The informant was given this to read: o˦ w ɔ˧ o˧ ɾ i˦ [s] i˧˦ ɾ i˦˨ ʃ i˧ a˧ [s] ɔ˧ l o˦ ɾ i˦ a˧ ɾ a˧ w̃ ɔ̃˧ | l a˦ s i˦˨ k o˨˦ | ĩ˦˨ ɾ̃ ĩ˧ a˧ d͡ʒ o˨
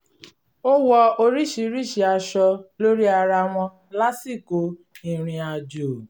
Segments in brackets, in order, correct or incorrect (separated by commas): incorrect, incorrect